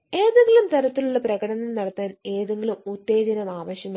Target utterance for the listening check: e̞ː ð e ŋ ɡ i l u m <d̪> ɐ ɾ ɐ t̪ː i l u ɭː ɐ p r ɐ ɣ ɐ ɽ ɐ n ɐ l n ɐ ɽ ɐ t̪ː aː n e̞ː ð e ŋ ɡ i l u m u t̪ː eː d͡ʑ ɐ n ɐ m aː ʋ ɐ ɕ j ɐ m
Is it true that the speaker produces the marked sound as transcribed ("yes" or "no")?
no